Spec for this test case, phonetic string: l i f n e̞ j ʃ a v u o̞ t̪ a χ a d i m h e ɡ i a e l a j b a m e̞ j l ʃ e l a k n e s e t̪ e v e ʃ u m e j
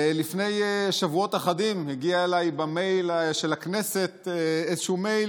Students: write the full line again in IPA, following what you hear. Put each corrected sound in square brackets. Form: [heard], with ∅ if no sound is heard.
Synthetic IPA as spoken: l i f n e̞ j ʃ a v u o̞ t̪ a χ a d i m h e ɡ i a e l a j b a m e̞ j l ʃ e l a k n e s e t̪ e [z] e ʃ u m e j